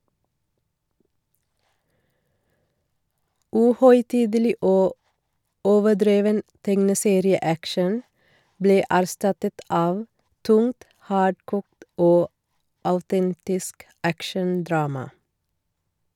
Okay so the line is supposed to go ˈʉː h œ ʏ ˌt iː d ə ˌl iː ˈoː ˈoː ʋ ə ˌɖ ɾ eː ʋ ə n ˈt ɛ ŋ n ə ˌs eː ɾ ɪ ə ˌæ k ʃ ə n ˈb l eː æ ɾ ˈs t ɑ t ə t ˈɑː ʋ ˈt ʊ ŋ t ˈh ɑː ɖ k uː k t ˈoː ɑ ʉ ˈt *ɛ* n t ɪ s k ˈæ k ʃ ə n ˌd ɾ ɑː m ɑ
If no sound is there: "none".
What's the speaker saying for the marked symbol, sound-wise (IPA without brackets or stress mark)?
ɛ